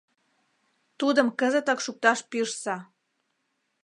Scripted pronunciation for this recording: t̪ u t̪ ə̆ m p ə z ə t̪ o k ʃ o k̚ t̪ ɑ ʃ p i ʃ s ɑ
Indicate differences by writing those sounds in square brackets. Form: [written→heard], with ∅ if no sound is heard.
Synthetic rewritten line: t̪ u [t̪→d̪] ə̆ m [p→k] ə z ə t̪ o k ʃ [o→u] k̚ t̪ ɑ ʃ p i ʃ s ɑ